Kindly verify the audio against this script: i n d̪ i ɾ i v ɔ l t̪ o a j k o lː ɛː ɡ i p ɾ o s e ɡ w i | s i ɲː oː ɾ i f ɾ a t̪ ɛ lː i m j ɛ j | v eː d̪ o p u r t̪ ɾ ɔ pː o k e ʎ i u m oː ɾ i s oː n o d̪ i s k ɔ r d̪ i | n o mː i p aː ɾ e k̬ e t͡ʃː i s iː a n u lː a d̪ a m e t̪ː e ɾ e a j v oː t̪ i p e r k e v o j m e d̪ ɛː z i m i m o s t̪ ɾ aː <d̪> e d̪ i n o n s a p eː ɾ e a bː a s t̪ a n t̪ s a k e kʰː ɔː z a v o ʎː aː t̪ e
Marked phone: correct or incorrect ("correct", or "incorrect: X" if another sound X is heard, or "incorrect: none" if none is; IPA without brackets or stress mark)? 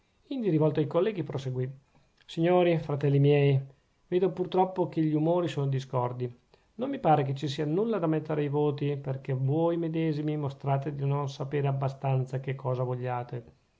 incorrect: t̪